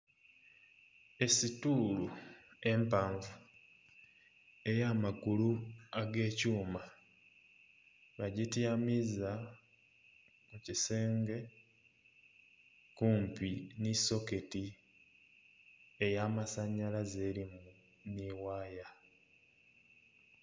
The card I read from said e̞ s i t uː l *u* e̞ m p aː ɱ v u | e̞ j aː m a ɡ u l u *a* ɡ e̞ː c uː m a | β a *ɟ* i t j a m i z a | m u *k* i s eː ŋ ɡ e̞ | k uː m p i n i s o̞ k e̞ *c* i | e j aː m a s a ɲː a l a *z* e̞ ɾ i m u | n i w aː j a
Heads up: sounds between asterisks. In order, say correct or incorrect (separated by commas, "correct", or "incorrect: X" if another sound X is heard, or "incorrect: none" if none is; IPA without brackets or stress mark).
correct, correct, correct, incorrect: c, incorrect: t, correct